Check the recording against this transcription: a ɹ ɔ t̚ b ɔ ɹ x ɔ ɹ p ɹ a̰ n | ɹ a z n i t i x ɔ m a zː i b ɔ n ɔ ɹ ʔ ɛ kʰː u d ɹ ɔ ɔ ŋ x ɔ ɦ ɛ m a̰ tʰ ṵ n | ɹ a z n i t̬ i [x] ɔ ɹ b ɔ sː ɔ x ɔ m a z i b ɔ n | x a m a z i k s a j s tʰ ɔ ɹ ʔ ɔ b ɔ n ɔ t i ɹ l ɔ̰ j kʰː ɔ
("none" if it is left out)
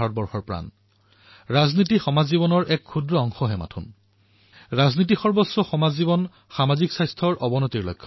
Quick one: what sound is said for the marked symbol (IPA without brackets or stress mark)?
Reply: x